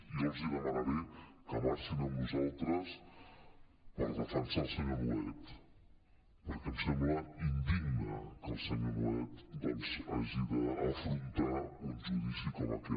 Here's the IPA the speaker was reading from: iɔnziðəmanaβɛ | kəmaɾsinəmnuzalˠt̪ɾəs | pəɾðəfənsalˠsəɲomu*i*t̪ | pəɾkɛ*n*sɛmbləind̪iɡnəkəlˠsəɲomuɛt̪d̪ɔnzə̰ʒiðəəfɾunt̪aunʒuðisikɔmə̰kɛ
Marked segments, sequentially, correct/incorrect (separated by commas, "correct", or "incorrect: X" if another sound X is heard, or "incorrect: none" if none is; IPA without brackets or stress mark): incorrect: ɛ, incorrect: m